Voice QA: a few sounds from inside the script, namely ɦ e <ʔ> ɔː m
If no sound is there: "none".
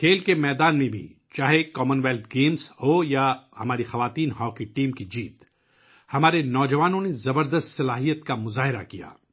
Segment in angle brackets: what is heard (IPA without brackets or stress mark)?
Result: k